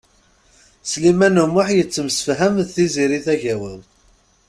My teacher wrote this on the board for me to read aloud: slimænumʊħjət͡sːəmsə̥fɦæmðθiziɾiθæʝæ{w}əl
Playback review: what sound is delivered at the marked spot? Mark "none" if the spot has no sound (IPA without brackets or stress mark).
w